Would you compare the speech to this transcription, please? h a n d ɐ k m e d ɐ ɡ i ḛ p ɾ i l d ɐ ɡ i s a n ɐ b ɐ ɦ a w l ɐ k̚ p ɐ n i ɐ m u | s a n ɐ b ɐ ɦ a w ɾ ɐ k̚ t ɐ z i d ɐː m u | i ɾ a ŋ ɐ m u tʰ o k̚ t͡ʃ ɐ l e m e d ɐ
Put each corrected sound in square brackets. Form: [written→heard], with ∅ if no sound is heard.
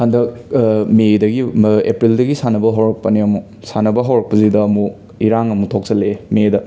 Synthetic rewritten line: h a n d ɐ k m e d ɐ ɡ i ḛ p ɾ i l d ɐ ɡ i s a n ɐ b ɐ ɦ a w [l→ɾ] ɐ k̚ p ɐ n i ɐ m u | s a n ɐ b ɐ ɦ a w ɾ ɐ k̚ [t→p] ɐ z i d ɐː m u | i ɾ a ŋ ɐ m u tʰ o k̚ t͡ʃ ɐ l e m e d ɐ